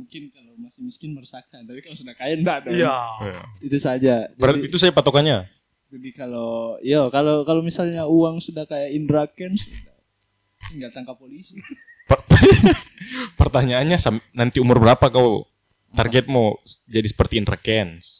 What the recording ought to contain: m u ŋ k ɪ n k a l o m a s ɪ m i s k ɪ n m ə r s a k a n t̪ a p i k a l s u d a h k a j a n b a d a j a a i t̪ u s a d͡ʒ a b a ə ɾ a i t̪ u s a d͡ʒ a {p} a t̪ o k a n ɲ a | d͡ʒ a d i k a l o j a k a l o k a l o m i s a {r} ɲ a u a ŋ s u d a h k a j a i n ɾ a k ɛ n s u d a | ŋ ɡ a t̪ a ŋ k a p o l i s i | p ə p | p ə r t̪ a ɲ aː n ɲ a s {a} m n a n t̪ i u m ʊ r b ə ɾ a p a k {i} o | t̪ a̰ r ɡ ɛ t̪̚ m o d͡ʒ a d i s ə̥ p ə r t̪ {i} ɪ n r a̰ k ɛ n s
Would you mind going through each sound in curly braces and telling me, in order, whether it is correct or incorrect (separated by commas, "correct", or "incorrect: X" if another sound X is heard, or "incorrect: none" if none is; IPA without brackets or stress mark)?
correct, incorrect: l, correct, incorrect: a, correct